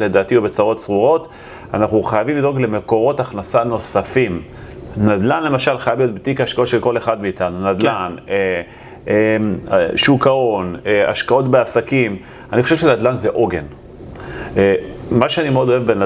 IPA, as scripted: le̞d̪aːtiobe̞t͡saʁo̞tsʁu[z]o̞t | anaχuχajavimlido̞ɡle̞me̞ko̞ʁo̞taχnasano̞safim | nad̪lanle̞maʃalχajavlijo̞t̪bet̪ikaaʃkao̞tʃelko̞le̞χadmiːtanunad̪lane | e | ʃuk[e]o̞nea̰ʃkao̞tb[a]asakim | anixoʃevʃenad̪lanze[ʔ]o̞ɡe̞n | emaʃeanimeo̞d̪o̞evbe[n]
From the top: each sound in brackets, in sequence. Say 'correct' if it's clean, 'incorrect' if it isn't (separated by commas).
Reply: incorrect, incorrect, incorrect, correct, correct